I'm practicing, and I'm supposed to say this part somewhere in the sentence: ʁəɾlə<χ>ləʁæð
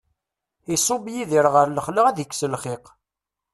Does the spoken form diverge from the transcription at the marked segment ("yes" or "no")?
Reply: no